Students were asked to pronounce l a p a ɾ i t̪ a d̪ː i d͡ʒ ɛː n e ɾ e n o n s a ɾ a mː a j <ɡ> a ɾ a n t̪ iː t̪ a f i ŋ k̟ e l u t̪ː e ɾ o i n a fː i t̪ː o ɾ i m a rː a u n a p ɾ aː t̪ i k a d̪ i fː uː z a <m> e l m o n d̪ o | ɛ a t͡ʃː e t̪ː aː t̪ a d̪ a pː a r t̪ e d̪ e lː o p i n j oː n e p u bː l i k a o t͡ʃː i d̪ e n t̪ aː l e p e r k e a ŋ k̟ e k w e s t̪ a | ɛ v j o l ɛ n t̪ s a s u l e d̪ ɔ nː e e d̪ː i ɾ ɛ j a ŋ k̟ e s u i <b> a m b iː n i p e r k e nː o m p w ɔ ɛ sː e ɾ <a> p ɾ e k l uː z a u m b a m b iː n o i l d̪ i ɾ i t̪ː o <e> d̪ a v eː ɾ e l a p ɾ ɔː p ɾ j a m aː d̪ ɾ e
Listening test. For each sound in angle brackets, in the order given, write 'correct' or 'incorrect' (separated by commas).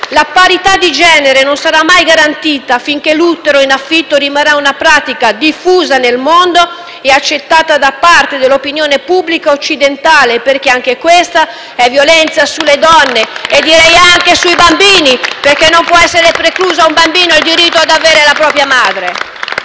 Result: correct, incorrect, correct, incorrect, incorrect